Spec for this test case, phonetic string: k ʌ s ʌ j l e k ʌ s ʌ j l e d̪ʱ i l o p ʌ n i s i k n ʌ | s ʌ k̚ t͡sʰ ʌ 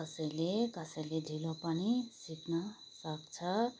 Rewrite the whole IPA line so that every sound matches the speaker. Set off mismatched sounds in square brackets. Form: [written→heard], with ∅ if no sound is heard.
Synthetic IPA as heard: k ʌ s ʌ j l e k ʌ s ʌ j l e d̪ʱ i l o p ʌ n i s i k n ʌ | s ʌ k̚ t͡sʰ ʌ